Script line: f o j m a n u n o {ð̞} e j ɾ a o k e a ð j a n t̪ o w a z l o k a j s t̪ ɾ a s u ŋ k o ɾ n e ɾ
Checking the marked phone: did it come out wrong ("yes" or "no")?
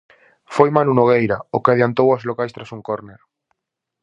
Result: yes